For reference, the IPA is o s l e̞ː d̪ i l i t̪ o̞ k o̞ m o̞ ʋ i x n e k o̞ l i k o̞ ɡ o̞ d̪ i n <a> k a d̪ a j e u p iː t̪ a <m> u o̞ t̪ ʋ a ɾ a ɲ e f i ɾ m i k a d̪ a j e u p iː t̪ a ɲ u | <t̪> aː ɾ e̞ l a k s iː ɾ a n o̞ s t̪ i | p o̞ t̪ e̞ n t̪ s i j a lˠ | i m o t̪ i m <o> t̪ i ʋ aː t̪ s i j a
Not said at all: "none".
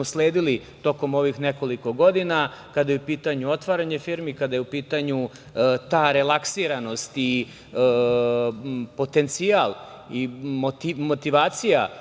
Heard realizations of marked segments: a, ɲ, t̪, o

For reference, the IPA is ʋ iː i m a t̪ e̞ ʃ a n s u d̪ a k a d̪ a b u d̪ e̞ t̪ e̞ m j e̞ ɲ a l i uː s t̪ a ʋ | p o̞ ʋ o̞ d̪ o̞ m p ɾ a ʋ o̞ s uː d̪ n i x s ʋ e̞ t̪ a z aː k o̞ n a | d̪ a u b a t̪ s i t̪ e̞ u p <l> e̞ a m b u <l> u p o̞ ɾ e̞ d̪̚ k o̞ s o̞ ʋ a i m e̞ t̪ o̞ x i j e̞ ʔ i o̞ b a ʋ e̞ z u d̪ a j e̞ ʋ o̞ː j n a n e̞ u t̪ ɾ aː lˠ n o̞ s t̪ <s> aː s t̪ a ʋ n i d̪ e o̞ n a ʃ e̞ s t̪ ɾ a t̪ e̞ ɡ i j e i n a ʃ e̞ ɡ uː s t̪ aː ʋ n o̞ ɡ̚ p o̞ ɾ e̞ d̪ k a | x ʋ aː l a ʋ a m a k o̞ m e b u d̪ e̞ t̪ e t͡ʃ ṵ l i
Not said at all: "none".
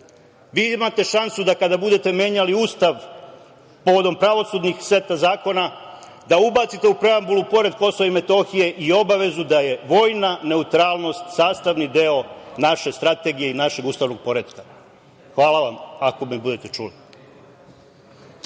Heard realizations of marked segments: ɾ, l, s

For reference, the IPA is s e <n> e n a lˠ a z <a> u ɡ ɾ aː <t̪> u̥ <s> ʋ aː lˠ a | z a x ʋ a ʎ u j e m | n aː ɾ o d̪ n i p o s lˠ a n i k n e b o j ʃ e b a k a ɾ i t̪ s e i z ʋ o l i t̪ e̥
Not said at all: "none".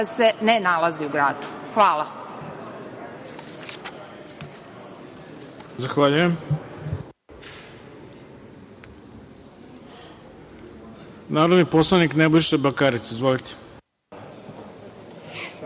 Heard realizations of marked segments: n, i, d̪, x

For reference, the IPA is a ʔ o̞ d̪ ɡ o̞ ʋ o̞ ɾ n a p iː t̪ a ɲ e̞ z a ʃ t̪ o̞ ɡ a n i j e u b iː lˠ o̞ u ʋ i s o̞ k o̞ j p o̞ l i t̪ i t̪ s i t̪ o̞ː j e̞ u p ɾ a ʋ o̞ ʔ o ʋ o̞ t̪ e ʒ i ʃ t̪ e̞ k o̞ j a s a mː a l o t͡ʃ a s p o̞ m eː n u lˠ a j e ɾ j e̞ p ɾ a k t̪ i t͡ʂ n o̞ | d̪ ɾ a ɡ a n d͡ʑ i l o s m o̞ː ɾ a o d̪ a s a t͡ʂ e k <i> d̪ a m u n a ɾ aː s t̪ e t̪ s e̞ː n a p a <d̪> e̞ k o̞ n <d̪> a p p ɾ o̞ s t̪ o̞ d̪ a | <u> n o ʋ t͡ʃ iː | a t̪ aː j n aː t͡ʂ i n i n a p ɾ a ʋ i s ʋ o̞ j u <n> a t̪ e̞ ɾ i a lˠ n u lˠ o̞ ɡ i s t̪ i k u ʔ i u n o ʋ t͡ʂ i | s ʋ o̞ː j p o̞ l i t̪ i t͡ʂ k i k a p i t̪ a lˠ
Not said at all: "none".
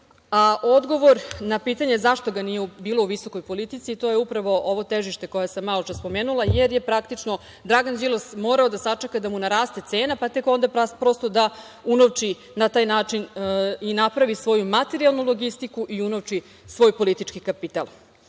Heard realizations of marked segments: a, t̪, d̪, u, m

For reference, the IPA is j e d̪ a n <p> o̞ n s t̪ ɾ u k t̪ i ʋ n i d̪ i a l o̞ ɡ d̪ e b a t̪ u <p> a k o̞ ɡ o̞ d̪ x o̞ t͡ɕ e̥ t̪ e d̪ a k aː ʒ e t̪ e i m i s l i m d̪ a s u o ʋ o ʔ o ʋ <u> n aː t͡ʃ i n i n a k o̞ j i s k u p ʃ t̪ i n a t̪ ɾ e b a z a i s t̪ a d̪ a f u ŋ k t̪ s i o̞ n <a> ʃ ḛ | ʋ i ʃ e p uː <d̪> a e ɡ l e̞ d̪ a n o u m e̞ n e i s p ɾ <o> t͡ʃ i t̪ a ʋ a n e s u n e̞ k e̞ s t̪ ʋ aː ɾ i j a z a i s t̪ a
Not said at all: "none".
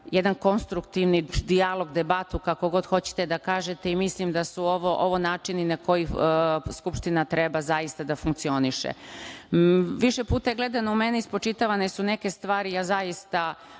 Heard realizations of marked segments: k, k, o, i, t̪, o

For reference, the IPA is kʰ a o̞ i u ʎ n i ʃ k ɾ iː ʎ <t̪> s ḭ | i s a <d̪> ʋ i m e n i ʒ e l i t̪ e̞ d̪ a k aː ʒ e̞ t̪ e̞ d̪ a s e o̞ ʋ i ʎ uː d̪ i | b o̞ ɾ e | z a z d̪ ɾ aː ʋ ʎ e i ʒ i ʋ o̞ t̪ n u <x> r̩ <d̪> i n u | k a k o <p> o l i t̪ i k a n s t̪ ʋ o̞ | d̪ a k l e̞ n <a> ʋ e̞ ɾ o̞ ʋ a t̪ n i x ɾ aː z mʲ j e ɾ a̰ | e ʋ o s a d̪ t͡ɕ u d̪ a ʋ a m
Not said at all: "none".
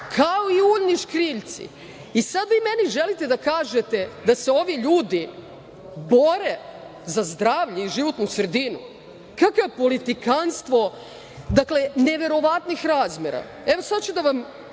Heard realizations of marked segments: t̪, d̪, s, d̪, p, e

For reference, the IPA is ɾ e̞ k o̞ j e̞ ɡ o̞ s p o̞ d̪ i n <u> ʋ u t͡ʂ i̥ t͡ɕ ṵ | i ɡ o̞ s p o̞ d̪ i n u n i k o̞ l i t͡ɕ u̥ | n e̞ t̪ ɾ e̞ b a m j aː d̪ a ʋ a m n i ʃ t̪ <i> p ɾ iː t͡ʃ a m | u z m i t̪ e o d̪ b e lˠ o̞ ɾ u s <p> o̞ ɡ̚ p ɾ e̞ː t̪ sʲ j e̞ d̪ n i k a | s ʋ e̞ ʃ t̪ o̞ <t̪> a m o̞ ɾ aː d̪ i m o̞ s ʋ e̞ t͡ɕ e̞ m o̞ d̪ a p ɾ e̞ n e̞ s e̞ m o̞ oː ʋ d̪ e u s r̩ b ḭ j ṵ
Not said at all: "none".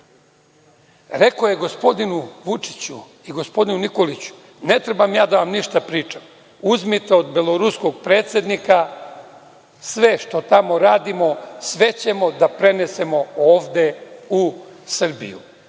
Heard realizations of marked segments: u, a, k, t̪

